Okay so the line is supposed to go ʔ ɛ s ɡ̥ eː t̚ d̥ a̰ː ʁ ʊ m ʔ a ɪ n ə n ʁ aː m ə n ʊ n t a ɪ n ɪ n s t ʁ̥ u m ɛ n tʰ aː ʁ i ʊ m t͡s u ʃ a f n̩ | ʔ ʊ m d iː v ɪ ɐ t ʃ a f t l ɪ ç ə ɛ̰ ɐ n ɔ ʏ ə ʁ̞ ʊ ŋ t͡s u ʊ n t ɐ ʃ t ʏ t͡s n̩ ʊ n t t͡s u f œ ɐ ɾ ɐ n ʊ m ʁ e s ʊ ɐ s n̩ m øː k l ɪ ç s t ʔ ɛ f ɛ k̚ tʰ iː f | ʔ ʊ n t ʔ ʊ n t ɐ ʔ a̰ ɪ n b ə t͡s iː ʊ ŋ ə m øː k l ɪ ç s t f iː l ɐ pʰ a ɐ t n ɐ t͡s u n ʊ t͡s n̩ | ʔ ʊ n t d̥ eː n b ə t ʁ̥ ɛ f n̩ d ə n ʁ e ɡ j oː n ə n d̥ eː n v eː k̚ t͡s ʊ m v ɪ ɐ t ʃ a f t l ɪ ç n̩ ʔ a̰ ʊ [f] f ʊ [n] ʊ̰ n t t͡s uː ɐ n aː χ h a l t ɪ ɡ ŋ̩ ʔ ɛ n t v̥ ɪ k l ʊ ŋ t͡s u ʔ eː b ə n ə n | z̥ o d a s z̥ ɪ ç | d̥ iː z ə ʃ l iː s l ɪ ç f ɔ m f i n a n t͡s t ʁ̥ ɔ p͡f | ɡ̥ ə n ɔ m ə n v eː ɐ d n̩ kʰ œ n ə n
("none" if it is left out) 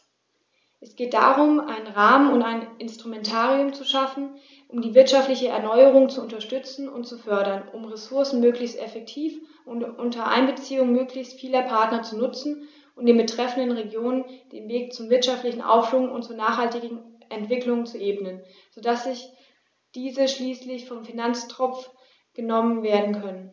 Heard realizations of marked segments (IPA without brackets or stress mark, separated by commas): f, ŋ